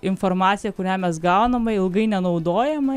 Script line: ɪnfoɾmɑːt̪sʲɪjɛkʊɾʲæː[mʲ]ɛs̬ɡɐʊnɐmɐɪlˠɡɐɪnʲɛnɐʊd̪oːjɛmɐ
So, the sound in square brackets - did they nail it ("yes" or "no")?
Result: yes